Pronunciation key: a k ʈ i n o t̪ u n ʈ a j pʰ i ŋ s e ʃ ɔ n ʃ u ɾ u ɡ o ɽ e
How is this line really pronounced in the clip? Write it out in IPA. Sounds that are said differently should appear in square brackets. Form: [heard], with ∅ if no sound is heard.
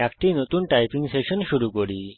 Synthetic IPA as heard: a k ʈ i n o t̪ u n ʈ a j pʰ i ŋ s e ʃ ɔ n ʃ u ɾ u [k] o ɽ [i]